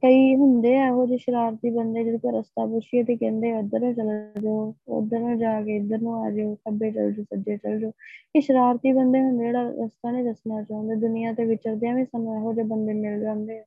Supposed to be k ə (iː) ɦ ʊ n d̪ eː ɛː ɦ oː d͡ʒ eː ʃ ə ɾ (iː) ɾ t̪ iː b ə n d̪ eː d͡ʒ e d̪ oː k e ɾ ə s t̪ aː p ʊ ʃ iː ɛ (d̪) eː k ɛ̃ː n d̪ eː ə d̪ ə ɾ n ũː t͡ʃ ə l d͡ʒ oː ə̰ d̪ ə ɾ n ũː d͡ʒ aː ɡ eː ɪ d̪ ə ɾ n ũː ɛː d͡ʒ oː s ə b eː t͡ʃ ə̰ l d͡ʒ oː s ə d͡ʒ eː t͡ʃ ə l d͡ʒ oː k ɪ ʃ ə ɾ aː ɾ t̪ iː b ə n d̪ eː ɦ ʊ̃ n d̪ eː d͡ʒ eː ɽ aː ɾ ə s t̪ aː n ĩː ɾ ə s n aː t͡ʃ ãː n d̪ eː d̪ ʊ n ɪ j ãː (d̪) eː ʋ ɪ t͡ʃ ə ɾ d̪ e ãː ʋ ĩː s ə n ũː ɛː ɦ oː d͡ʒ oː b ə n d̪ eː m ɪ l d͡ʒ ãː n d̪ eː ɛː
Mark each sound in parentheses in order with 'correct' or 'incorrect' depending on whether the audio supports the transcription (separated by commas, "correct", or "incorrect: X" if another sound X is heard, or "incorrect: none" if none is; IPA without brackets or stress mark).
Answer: correct, incorrect: aː, incorrect: t̪, incorrect: t̪